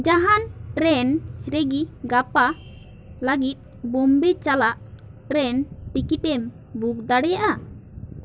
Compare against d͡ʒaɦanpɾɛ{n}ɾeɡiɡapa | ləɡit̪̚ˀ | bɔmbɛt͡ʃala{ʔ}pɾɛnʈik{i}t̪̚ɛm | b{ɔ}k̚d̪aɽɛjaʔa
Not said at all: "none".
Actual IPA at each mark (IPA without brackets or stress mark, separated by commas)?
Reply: n, ʔ, i, u